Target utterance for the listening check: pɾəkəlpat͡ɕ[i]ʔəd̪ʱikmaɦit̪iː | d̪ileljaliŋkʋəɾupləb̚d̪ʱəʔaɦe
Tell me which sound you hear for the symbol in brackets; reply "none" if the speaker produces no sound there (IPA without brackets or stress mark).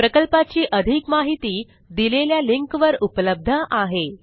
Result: iː